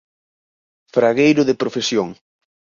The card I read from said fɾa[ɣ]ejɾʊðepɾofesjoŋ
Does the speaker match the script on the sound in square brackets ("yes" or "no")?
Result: yes